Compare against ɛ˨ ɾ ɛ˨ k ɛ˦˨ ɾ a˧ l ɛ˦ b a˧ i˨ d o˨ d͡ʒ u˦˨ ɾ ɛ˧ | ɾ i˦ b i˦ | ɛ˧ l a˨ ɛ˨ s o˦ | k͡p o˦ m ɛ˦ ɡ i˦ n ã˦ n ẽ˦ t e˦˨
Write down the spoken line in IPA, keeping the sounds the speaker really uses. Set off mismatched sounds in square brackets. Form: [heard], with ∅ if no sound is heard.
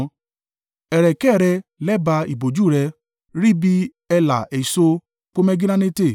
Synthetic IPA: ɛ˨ ɾ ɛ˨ k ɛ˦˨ ɾ [ɛ˧] l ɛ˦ b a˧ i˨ [b] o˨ d͡ʒ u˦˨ ɾ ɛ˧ | ɾ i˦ b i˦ | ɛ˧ l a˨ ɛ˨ s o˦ | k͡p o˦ m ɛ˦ ɡ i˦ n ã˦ n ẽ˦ t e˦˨